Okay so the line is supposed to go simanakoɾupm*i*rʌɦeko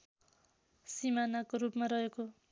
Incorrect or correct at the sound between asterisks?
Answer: incorrect: a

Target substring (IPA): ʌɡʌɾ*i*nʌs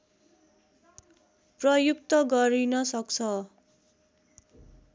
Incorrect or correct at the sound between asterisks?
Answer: correct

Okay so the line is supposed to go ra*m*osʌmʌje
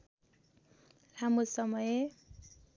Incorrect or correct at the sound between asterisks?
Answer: correct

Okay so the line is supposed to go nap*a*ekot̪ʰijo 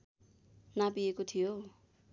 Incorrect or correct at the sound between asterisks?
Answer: incorrect: i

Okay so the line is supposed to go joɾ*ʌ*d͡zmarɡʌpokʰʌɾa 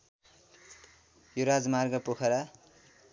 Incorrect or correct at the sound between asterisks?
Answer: incorrect: a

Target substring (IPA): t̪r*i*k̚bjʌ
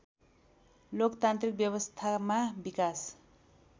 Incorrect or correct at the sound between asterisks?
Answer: correct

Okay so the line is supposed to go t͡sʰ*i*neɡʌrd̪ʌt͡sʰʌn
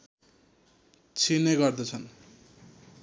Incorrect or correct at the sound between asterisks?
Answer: correct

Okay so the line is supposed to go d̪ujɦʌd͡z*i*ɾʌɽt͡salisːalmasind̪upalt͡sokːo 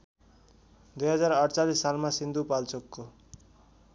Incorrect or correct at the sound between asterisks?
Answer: incorrect: a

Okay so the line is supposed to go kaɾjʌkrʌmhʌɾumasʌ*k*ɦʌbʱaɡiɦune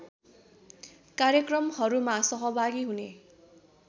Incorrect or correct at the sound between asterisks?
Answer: incorrect: none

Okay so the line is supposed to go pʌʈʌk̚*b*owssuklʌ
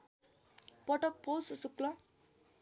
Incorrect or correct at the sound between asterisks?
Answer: incorrect: p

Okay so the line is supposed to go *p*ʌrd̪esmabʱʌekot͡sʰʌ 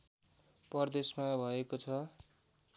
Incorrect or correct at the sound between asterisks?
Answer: correct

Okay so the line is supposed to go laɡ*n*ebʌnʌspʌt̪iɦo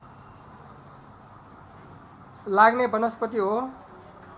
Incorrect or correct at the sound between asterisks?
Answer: correct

